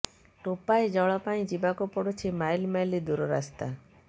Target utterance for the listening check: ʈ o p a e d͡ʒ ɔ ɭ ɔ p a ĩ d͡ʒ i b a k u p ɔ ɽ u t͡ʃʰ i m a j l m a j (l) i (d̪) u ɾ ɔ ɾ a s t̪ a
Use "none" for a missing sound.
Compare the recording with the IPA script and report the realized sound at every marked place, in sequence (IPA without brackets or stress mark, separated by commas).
l, d̪